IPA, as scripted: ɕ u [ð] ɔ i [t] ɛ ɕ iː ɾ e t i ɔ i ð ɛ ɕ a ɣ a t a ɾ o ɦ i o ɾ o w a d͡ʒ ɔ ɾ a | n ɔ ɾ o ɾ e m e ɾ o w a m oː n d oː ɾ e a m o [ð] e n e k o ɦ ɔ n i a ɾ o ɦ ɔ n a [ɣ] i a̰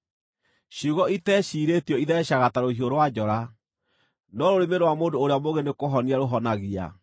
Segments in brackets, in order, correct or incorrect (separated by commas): incorrect, correct, incorrect, correct